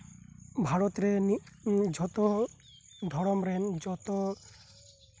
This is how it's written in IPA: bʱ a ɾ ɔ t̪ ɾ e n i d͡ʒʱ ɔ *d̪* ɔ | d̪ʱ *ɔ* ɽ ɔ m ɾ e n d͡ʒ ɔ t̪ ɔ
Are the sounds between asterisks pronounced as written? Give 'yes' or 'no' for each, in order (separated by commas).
no, yes